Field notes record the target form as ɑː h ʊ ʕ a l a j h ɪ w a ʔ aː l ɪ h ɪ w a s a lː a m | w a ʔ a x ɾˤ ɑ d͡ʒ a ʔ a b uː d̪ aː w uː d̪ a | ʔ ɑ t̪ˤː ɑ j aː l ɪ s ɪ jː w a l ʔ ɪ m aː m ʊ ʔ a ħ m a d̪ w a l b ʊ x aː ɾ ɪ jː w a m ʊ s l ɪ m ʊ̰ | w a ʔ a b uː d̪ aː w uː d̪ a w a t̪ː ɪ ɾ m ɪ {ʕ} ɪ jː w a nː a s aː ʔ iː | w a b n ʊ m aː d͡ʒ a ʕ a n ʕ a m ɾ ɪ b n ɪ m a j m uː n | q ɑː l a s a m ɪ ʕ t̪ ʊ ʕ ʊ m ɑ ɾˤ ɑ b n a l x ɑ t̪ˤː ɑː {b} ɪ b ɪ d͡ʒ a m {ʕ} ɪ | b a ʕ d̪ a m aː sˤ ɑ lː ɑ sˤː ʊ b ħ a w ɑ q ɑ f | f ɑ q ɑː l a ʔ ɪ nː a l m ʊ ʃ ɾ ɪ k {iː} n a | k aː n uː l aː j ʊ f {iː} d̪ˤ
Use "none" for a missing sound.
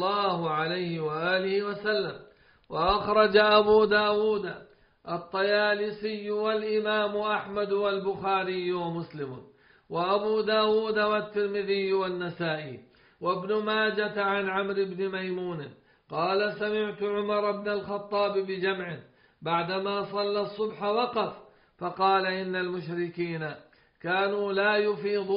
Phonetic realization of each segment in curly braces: ð, b, ʕ, iː, iː

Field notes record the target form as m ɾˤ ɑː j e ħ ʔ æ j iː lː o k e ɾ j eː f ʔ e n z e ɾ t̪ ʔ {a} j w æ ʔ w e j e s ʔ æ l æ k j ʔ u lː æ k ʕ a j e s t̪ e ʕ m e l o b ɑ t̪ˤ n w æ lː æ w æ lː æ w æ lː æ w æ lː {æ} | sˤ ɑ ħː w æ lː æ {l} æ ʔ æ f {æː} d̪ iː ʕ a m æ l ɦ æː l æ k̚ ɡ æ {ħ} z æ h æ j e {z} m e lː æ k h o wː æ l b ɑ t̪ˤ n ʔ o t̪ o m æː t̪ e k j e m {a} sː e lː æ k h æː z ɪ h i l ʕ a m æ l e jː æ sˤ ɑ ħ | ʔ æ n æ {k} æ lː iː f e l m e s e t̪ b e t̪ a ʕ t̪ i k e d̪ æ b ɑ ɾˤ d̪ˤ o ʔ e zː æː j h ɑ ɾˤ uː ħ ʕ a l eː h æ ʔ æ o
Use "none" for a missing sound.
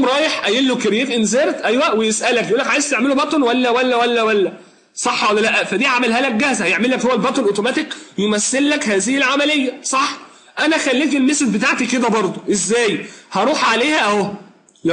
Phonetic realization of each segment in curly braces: æ, æ, l, æ, h, ʕ, æ, x

